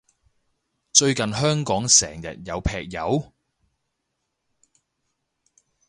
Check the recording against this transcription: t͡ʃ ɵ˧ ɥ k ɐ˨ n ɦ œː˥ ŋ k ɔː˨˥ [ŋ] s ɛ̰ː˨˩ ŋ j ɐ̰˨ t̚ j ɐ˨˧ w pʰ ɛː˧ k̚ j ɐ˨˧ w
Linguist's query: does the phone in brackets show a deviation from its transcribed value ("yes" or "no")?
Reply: no